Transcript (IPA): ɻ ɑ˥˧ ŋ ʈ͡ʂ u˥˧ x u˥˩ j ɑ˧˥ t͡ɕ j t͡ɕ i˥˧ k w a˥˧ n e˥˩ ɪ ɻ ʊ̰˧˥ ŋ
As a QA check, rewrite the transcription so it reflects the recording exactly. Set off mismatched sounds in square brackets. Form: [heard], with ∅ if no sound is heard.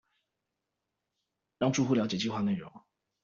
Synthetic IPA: ɻ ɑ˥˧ ŋ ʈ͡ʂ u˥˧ x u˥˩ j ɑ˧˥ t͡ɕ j t͡ɕ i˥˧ [x] w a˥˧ n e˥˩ ɪ ɻ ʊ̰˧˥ ŋ